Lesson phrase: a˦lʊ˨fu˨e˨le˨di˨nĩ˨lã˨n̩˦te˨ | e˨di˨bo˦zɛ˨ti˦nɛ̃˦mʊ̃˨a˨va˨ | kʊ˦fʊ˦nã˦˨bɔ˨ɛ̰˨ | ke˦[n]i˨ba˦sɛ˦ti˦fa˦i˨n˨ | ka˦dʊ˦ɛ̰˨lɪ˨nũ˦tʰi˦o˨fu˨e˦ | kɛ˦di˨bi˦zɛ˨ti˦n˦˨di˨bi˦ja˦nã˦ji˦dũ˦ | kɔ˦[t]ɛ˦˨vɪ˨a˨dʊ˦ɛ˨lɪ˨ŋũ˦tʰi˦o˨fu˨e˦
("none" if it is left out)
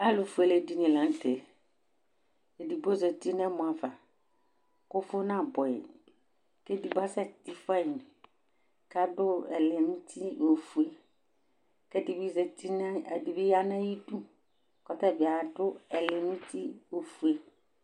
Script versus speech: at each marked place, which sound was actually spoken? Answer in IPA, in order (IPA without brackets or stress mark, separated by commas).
d, t